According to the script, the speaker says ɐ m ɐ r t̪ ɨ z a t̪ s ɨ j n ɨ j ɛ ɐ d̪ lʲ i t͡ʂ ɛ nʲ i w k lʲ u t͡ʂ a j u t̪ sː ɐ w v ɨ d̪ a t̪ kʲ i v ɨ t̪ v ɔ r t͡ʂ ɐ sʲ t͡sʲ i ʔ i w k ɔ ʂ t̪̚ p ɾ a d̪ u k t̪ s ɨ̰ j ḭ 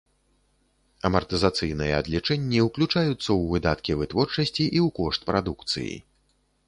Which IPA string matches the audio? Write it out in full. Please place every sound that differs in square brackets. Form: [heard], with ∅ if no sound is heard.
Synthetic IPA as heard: ɐ m ɐ r t̪ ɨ z a t̪ s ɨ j n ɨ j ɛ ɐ d̪ lʲ i t͡ʂ ɛ [nʲː] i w k lʲ u t͡ʂ a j u t̪ sː ɐ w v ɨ d̪ a t̪ kʲ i v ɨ t̪ v ɔ r t͡ʂ ɐ sʲ t͡sʲ i ʔ i w k ɔ ʂ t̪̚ p ɾ a d̪ u k t̪ s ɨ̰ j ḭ